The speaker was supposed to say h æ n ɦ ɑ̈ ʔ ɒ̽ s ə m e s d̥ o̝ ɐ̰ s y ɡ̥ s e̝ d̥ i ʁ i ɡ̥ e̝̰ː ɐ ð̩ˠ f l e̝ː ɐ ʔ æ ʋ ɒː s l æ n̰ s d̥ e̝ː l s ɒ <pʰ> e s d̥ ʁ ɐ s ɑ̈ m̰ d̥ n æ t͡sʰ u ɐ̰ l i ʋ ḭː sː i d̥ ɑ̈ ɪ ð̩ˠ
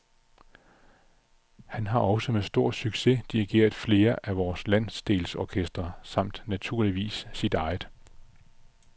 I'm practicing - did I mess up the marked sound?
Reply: yes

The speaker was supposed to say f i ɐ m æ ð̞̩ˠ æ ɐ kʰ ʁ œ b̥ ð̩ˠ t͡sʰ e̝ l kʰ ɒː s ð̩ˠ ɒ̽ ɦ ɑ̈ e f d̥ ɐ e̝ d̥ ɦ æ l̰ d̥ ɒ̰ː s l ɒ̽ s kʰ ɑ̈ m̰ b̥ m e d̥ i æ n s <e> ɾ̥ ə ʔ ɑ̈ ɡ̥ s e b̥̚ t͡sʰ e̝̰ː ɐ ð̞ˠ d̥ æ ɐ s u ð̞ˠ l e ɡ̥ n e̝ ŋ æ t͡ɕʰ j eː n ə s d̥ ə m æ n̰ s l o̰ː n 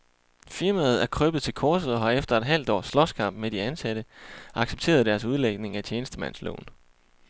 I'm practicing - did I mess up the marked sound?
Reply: yes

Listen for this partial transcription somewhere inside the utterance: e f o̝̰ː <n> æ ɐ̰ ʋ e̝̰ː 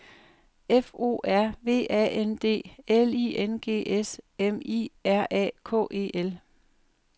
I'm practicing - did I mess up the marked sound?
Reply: yes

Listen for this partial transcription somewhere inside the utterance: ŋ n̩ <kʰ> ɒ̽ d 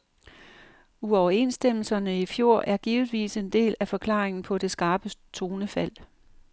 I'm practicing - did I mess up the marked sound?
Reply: yes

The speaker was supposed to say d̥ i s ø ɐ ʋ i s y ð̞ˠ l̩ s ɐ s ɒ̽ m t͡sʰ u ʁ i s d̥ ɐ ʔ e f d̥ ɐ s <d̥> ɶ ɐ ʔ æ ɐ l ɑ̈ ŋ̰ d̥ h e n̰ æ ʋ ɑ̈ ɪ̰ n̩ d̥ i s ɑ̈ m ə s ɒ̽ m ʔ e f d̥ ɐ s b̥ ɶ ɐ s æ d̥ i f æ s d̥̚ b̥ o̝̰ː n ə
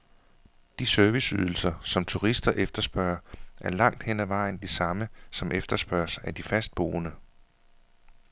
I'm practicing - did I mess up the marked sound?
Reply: yes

